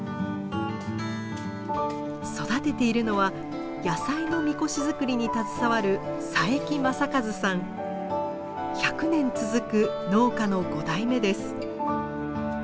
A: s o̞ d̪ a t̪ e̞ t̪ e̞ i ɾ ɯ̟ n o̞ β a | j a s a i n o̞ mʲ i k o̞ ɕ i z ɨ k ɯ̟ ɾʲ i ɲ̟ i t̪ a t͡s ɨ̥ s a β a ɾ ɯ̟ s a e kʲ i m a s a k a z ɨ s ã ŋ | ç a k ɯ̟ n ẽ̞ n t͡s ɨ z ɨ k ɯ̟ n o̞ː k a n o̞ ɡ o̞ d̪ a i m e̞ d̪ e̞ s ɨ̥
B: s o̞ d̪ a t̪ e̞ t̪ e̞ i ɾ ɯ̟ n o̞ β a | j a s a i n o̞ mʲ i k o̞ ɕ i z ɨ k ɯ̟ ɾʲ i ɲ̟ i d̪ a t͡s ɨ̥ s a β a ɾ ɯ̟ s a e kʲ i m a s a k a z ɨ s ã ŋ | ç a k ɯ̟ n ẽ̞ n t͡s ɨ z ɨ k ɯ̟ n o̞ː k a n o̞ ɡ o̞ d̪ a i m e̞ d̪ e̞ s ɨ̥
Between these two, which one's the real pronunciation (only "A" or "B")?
A